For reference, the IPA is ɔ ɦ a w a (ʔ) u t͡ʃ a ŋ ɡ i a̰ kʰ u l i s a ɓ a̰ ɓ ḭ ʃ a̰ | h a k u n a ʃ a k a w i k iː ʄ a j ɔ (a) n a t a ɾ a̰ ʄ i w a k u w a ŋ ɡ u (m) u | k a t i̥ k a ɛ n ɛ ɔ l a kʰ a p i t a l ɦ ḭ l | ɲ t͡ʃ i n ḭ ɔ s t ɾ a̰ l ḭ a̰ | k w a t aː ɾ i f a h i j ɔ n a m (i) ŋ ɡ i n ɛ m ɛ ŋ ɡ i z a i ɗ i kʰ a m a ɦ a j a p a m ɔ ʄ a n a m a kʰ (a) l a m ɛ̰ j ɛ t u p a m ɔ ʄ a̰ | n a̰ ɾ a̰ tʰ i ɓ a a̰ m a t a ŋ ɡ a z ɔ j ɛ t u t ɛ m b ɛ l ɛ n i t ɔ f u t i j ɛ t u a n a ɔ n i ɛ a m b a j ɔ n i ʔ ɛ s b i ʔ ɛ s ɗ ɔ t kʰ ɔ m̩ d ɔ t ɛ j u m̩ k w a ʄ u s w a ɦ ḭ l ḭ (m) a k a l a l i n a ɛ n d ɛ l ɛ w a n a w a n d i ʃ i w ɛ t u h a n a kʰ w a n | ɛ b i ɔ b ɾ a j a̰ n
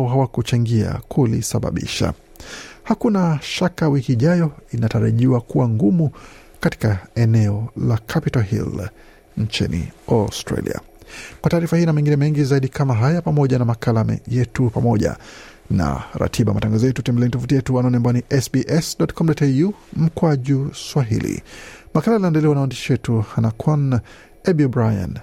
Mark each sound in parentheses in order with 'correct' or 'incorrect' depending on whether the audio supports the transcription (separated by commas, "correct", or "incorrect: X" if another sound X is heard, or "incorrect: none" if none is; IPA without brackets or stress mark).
incorrect: k, incorrect: i, correct, incorrect: ɛ, correct, correct